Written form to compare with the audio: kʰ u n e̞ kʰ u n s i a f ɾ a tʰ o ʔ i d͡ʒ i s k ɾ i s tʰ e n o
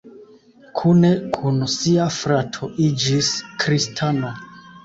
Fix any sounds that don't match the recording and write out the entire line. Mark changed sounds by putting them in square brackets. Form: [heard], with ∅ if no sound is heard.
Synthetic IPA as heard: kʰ u n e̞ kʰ u n s i a f ɾ a tʰ o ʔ i d͡ʒ i s k ɾ i s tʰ [a] n o